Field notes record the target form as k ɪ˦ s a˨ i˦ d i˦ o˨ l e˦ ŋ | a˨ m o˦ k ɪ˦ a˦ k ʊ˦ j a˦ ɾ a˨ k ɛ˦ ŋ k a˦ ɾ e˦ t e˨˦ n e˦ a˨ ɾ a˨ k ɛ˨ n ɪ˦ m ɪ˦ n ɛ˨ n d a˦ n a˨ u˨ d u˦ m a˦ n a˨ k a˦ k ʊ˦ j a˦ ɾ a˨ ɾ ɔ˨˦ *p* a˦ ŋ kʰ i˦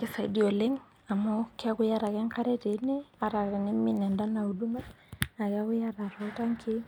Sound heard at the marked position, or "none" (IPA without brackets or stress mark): t